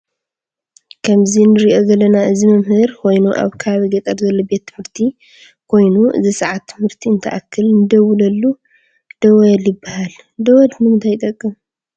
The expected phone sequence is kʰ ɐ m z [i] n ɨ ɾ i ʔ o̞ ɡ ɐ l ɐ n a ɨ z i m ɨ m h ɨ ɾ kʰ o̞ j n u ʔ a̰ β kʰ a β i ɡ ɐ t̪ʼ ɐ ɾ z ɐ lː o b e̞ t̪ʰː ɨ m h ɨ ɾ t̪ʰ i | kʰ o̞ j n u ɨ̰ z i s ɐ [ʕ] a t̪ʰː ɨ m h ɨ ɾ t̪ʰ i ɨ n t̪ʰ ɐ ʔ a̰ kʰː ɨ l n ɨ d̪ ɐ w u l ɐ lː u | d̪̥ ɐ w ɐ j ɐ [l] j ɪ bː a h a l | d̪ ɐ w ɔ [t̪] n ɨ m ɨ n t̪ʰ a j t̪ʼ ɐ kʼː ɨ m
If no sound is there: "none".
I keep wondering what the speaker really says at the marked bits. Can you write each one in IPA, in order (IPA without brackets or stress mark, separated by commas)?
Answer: i, ʕ, l, d̪